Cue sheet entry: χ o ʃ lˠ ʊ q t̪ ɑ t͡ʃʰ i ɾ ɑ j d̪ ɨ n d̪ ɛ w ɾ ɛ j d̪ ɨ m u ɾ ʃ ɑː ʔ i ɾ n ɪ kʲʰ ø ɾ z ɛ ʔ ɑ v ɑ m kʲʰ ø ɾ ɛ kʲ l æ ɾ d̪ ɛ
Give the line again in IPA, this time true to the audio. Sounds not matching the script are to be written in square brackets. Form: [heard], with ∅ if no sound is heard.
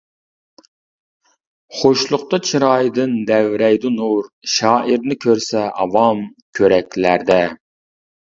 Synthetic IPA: χ o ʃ lˠ ʊ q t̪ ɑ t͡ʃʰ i ɾ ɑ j d̪ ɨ n d̪ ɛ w ɾ ɛ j d̪ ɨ [n] u ɾ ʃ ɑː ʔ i ɾ n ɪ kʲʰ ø ɾ [s] ɛ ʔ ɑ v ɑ m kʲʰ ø ɾ ɛ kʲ l æ ɾ d̪ ɛ